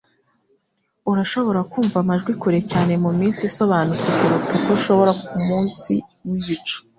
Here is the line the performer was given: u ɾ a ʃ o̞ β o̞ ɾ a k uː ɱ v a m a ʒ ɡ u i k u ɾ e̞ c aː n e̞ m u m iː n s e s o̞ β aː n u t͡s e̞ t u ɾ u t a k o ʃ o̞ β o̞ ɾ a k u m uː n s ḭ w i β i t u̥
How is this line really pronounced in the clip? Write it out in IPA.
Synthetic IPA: u ɾ a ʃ o̞ β o̞ ɾ a k uː ɱ v a m a ʒ ɡ w i k u ɾ e̞ c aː n e̞ m u m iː n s i s o̞ β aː n u t͡s e̞ k u ɾ u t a k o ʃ o̞ β o̞ ɾ a k u m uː n s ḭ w i β i t͡ʃ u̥